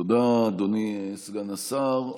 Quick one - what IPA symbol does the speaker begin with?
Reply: o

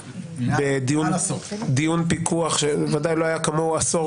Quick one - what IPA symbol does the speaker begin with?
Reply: b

